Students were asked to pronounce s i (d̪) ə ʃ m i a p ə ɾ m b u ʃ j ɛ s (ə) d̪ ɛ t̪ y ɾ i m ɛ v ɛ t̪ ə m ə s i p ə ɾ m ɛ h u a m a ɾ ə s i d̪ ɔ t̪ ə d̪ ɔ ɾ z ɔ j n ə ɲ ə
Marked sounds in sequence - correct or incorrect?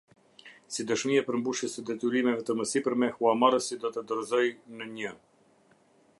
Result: correct, correct

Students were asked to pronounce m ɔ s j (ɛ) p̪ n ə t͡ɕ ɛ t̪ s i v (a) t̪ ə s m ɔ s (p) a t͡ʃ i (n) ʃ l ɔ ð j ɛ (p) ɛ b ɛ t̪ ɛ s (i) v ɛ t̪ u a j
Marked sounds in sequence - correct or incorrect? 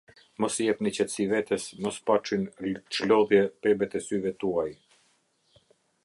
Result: correct, incorrect: ɛ, correct, correct, correct, incorrect: y

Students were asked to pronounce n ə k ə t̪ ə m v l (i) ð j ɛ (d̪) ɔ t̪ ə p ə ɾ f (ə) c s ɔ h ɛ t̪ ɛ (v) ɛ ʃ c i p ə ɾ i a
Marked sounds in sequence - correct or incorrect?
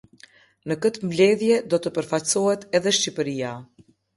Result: incorrect: ɛ, correct, incorrect: a, incorrect: ð

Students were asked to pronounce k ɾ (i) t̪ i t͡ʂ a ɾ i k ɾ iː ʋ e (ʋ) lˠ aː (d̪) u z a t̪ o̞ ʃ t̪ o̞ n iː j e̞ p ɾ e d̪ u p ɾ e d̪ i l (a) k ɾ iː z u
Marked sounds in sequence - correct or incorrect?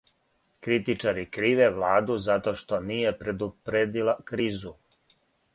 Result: correct, correct, correct, correct

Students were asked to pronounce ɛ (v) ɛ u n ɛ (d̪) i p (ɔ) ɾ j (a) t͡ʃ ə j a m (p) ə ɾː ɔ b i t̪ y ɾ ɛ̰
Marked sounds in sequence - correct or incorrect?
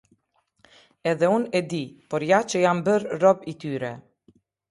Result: incorrect: ð, correct, correct, correct, incorrect: b

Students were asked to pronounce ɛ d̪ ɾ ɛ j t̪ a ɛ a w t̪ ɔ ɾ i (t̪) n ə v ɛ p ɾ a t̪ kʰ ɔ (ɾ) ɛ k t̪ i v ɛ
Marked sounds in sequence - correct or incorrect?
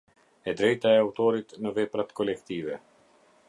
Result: correct, incorrect: l

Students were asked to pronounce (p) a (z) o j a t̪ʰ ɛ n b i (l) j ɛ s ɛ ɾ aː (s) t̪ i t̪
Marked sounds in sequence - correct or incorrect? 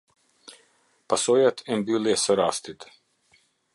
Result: correct, incorrect: s, correct, correct

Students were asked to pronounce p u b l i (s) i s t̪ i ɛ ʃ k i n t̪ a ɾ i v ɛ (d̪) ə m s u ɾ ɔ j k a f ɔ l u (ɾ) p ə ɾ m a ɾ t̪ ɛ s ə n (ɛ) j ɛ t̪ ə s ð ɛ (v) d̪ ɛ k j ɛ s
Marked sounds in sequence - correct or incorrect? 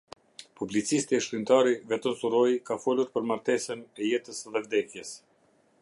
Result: incorrect: t͡s, incorrect: t̪, correct, correct, correct

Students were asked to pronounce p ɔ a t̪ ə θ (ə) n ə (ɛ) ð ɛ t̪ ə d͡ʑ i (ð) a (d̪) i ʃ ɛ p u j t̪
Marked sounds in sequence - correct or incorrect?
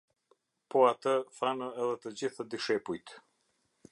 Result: incorrect: a, correct, incorrect: θ, correct

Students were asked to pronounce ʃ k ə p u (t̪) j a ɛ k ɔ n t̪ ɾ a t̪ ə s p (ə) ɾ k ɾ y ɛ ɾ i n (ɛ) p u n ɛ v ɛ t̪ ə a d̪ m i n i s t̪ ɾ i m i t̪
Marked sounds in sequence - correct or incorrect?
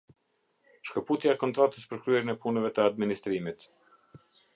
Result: correct, correct, correct

